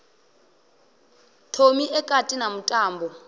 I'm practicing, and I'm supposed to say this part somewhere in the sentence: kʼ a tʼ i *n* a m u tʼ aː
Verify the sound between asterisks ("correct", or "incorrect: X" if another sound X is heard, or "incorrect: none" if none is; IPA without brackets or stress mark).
correct